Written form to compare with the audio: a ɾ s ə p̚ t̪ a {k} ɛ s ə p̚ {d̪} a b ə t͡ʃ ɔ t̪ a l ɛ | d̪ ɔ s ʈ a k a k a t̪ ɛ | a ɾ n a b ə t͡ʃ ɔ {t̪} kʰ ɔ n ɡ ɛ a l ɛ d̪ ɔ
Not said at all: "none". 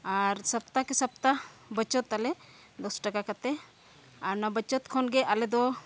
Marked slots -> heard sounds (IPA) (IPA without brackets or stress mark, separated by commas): k, t̪, t̪